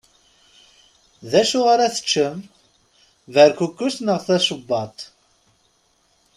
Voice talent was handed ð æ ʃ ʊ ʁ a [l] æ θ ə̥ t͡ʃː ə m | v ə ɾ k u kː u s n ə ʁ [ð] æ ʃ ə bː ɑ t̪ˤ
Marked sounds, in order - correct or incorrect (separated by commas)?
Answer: incorrect, incorrect